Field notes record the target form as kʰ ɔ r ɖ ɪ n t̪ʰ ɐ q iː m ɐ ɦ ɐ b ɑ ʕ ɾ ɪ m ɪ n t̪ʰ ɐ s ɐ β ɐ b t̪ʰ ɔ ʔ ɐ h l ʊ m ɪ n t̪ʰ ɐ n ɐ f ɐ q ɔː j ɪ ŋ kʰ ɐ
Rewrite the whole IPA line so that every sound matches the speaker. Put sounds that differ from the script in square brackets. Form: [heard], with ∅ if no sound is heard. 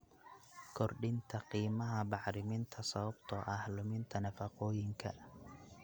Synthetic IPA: kʰ ɔ r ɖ ɪ n t̪ʰ ɐ q iː m ɐ ɦ ɐ b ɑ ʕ ɾ ɪ m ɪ n t̪ʰ ɐ s ɐ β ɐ b t̪ʰ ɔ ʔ ɐ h l ʊ m ɪ n t̪ʰ ɐ n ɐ f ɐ q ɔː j ɪ ŋ kʰ ɐ